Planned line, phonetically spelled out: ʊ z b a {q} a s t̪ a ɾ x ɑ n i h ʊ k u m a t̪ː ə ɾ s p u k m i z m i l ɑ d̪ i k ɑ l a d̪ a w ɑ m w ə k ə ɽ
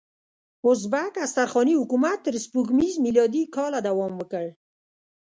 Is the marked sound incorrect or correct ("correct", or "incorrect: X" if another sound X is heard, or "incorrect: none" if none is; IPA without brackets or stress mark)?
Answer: incorrect: k